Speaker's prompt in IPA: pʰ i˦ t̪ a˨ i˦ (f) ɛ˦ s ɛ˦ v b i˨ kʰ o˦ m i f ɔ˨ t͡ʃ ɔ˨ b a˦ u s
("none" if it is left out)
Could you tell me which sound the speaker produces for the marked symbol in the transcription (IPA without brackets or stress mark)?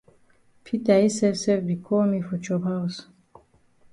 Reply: s